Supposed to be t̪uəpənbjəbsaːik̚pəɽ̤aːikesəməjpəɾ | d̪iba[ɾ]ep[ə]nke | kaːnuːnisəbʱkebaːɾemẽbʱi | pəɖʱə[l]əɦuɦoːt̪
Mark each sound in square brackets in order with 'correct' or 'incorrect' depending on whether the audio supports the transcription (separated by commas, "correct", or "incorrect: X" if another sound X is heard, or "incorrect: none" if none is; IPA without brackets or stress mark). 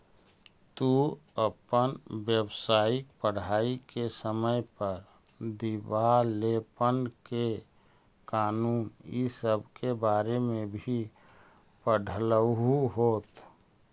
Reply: incorrect: l, correct, correct